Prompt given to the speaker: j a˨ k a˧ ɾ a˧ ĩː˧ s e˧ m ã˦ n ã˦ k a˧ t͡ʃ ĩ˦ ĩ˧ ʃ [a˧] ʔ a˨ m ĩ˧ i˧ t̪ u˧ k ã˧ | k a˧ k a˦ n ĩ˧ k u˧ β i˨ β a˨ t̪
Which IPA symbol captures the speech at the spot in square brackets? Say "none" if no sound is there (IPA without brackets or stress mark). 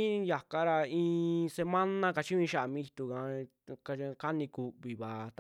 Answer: a˧